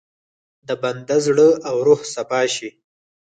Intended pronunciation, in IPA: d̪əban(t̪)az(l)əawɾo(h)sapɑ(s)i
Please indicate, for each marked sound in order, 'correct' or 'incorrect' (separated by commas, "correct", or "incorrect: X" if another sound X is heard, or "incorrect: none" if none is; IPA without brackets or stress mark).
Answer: incorrect: d̪, incorrect: ɽ, correct, incorrect: ʃ